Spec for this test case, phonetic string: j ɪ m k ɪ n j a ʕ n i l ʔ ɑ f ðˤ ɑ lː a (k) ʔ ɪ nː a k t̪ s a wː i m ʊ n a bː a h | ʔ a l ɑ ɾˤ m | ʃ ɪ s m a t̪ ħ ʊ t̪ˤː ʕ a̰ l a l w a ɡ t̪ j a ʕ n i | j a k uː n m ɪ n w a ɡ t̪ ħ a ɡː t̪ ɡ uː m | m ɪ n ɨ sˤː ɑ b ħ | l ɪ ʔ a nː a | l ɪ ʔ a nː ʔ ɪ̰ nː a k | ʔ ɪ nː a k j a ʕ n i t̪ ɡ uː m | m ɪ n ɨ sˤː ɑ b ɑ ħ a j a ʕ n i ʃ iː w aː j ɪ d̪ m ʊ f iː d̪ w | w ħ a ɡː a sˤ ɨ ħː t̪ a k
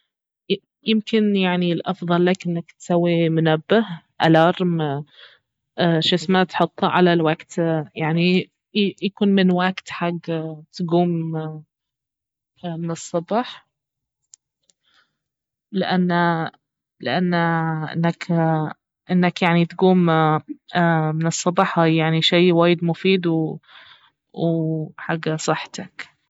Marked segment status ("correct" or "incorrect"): correct